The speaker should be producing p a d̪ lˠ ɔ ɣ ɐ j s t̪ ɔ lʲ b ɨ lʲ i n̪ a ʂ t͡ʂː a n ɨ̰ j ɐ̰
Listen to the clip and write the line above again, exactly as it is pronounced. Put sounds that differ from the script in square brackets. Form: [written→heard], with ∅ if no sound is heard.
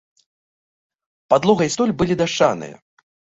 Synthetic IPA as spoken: p a d̪ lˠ ɔ ɣ ɐ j s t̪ ɔ lʲ b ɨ lʲ i [n̪→d̪] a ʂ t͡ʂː a n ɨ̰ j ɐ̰